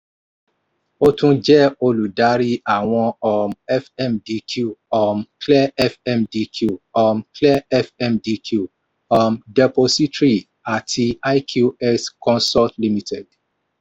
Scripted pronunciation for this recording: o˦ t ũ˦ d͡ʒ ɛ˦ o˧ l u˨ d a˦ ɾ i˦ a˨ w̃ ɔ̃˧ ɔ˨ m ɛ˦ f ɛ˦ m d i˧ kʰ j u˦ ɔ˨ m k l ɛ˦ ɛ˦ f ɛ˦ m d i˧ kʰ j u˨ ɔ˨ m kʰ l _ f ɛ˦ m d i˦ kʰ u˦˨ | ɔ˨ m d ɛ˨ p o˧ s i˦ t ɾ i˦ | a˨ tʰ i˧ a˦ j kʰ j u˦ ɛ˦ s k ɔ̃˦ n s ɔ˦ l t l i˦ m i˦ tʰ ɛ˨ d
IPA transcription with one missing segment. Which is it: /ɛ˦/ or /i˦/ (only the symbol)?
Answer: ɛ˦